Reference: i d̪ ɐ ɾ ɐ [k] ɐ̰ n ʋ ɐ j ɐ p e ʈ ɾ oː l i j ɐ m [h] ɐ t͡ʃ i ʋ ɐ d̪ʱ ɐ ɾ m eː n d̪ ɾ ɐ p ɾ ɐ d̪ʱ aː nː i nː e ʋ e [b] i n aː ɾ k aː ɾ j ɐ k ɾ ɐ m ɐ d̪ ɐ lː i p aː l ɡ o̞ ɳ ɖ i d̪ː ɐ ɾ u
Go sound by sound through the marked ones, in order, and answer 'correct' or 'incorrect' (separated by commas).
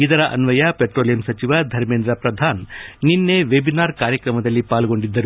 incorrect, incorrect, correct